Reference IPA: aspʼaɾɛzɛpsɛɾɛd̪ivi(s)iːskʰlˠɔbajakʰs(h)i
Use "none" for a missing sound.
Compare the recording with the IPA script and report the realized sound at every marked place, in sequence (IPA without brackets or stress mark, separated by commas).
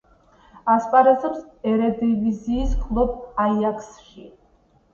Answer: z, ʃ